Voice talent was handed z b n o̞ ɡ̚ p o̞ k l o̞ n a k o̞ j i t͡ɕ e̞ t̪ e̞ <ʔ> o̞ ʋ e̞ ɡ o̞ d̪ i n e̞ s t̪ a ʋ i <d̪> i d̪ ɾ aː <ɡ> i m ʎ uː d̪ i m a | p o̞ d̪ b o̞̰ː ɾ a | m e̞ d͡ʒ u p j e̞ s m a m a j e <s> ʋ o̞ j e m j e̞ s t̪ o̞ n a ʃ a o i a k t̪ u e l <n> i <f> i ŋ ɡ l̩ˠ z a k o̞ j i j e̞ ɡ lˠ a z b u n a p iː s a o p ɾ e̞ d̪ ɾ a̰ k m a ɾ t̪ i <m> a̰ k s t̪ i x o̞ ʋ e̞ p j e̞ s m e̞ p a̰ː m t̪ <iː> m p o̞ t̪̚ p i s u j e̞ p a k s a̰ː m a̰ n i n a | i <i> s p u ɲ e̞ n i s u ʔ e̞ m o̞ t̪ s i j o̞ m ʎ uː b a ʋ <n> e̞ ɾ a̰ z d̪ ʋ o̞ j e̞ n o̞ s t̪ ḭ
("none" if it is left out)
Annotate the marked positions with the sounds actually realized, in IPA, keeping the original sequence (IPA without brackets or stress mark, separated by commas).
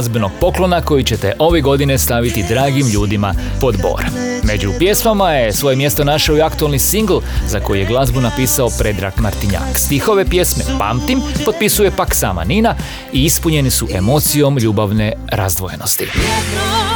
ʔ, t̪, ɡ, s, n, s, ɲ, i, i, n